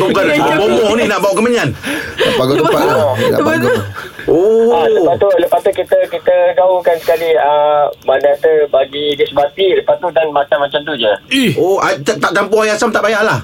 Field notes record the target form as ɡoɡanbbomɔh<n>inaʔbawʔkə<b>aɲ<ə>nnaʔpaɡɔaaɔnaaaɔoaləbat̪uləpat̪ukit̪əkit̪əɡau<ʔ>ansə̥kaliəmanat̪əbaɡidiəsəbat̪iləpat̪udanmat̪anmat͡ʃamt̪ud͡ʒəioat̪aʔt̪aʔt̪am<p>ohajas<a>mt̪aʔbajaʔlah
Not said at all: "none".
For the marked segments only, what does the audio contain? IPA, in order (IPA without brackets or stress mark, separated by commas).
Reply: n, m, a, k, p, a